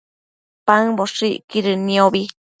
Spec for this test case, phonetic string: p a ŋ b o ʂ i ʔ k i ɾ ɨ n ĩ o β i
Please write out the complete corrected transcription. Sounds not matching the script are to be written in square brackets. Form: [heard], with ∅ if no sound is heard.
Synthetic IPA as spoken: p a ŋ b o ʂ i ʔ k i ɾ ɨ n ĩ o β i

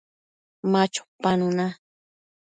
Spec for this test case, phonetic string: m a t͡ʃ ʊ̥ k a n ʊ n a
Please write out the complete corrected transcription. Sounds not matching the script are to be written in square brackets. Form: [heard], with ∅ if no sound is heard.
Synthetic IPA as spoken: m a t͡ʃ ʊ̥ [p] a n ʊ n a

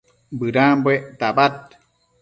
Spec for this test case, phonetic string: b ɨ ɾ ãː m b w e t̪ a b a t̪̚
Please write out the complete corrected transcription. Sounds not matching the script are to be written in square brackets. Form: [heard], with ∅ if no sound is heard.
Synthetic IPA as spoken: b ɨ ɾ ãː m b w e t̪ a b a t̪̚

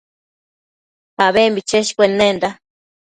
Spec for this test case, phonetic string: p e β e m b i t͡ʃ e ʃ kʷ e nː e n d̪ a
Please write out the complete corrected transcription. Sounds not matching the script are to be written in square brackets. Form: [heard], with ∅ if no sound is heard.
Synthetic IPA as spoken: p [a] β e m b i t͡ʃ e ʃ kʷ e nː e n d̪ a

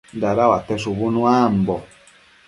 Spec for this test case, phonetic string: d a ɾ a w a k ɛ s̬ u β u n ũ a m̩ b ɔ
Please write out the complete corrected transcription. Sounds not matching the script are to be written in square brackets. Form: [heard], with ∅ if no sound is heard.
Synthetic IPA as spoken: d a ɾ a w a [t] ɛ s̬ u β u n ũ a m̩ b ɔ

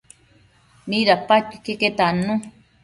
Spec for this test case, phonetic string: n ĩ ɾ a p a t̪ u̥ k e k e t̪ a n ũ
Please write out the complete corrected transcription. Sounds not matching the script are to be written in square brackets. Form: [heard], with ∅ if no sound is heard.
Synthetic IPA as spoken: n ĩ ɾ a p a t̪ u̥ k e k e t̪ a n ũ

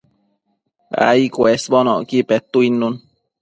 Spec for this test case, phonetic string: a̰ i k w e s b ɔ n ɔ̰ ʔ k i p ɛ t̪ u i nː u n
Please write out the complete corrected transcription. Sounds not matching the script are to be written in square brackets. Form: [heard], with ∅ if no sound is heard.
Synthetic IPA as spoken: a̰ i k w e s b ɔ n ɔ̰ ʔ k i p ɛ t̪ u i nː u n

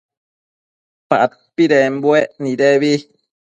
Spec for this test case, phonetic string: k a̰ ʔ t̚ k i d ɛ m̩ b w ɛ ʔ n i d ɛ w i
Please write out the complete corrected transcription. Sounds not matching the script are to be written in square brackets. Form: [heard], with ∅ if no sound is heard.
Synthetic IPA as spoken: [p] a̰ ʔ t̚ [p] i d ɛ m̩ b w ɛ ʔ n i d ɛ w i

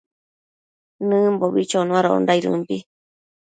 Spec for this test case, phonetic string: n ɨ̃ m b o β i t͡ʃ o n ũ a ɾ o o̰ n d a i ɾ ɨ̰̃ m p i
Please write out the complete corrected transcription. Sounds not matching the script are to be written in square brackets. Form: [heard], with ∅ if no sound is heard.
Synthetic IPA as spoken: n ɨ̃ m b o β i t͡ʃ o n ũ a ɾ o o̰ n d a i ɾ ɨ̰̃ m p i

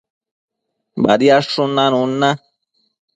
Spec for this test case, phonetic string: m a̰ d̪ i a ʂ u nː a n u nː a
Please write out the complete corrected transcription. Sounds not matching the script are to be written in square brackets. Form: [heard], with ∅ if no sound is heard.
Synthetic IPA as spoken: [b] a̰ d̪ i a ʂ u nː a n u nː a

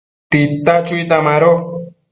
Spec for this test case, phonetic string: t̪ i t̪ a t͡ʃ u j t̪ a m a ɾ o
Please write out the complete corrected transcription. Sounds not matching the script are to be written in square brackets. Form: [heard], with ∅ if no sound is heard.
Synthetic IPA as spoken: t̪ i t̪ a t͡ʃ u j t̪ a m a ɾ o

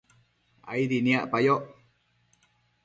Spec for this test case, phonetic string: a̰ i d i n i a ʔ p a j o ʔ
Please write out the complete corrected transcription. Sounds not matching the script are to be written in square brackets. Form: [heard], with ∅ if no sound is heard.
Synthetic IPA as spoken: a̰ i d i n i a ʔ p a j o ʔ

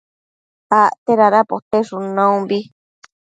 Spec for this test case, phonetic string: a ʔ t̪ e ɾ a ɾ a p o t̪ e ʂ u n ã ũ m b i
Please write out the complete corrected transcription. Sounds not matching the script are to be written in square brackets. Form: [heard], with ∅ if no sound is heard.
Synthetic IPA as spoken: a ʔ t̪ e ɾ a ɾ a p o t̪ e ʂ u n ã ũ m b i

